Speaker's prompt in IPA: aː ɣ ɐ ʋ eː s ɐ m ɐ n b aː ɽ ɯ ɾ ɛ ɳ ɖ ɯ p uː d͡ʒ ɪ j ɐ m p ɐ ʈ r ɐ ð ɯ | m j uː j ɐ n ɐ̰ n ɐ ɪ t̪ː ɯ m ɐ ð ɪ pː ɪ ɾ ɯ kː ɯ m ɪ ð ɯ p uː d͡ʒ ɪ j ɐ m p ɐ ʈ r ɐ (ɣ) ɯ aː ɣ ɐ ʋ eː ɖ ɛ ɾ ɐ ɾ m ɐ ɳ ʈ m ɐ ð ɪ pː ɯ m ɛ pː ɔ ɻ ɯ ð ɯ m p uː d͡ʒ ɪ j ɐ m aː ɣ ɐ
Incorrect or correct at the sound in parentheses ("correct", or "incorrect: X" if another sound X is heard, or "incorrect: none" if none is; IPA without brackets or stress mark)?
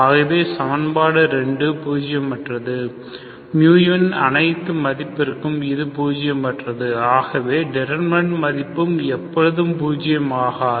incorrect: ð